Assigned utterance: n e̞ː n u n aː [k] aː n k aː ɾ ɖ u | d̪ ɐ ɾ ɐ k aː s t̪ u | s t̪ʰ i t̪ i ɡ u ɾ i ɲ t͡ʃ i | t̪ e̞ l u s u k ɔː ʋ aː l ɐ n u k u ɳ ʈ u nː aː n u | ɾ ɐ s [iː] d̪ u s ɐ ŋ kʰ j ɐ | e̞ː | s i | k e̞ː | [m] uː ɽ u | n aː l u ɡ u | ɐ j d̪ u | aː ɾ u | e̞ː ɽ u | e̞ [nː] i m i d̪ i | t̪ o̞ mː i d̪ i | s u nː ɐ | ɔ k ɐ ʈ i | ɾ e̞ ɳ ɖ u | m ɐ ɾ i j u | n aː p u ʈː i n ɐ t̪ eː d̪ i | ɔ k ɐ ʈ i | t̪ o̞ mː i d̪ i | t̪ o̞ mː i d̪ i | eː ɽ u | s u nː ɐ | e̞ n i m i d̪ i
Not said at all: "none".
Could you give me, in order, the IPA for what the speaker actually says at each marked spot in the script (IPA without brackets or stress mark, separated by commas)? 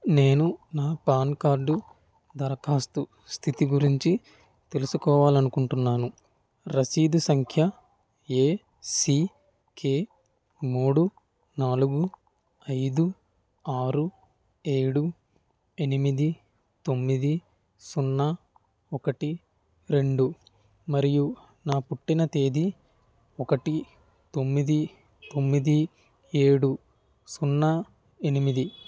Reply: p, iː, m, n